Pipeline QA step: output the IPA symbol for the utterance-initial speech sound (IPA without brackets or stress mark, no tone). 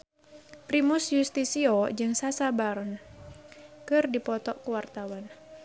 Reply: p